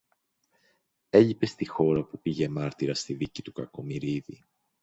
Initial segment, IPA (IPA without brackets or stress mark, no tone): e̞